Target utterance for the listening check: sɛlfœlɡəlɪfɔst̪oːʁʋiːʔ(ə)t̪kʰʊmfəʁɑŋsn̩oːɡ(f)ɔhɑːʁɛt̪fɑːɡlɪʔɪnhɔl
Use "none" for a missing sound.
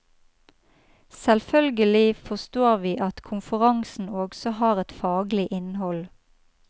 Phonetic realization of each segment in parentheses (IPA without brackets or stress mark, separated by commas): ɑ, s